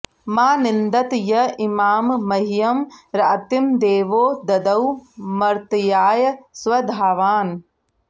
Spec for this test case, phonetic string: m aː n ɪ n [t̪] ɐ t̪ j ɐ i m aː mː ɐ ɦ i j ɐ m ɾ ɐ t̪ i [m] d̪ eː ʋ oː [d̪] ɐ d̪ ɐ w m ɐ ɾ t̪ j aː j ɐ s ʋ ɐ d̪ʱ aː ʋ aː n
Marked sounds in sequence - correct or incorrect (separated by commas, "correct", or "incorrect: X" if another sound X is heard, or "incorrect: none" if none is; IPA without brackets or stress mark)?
incorrect: d̪, correct, correct